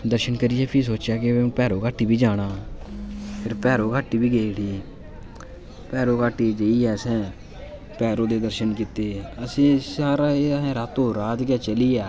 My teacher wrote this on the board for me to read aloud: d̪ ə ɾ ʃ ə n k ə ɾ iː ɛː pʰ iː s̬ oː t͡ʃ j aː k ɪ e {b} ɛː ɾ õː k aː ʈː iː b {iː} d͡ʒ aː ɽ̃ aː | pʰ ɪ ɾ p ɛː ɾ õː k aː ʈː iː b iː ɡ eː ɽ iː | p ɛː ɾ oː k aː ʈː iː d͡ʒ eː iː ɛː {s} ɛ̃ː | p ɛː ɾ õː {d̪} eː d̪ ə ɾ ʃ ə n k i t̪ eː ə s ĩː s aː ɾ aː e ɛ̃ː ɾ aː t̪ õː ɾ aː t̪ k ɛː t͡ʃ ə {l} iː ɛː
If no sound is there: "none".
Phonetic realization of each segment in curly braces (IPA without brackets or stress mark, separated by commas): p, iː, s, d̪, l